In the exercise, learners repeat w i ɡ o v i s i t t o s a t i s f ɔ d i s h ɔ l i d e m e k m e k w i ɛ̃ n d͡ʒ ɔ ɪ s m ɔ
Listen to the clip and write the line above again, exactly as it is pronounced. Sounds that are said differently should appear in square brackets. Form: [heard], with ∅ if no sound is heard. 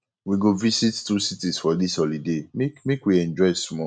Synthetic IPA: w i ɡ o v i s i t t [u] s [i] t i s f ɔ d i s h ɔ l i d e m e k m e k w i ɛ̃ n d͡ʒ ɔ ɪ s m ɔ

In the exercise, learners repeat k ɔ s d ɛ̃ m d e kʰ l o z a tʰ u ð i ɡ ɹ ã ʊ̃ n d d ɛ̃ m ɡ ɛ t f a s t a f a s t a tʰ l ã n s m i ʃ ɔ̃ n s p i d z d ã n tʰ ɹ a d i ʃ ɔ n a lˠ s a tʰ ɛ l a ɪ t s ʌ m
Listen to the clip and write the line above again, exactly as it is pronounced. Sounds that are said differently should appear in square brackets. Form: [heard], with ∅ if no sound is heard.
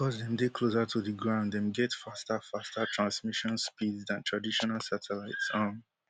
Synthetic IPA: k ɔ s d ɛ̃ m d e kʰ l o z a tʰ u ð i ɡ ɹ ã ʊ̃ n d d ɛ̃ m ɡ ɛ t f a s t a f a s t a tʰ [ɹ] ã n s m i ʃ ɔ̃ n s p i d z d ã n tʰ ɹ a d i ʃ ɔ n a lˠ s a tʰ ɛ l a ɪ t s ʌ m

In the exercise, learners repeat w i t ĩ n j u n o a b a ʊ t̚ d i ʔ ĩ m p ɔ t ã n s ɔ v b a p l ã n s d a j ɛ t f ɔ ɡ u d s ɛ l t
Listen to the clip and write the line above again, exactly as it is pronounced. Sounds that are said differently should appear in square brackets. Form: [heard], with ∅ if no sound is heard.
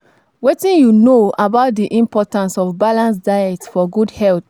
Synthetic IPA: w [e] t ĩ n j u n o a b a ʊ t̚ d i ʔ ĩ m p ɔ t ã n s ɔ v b a [∅] l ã n s d a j ɛ t f ɔ ɡ u d [h] ɛ l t

